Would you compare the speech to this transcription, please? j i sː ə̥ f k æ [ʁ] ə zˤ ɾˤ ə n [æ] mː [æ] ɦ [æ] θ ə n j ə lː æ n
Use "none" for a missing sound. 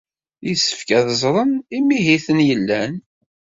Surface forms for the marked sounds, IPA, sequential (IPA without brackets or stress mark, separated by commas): ð, i, i, i